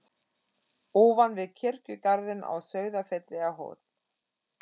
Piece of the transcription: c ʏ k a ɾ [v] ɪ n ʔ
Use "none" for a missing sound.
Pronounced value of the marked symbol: ð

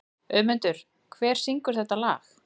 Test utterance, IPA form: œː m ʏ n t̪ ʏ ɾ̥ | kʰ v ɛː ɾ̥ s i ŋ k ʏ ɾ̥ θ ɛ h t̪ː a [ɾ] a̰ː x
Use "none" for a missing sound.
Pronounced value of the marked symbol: l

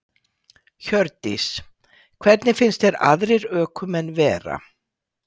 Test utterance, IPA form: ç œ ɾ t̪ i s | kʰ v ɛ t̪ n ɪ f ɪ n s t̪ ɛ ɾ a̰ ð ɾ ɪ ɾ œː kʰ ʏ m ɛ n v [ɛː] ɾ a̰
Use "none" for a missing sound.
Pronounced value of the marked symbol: ɛː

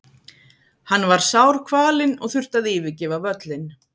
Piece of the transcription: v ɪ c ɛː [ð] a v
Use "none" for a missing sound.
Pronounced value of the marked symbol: v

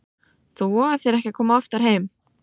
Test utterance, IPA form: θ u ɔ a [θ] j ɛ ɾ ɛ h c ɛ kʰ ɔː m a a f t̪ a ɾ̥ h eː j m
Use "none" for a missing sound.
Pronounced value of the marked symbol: θ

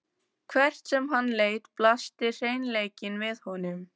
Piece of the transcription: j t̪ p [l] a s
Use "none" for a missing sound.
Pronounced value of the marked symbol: l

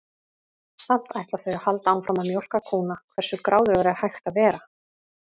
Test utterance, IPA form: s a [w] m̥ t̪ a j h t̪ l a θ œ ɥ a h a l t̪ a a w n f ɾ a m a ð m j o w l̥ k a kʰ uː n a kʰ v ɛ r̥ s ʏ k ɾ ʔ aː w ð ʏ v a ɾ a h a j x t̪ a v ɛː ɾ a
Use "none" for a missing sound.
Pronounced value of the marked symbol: none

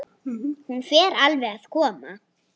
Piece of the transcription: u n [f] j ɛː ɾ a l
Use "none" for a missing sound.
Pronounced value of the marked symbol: f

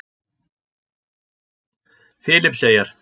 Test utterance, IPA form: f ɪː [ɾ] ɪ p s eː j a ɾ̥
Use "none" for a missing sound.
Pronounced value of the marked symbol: l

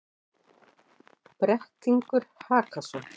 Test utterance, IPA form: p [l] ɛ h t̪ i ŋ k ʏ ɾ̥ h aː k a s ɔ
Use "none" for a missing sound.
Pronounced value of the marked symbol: ɾ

